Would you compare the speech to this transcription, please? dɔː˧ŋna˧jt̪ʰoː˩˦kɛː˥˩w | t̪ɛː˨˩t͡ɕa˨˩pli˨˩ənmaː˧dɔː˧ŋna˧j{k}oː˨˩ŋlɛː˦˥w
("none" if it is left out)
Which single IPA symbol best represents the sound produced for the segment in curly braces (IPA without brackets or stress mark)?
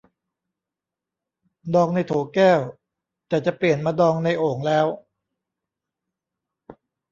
ʔ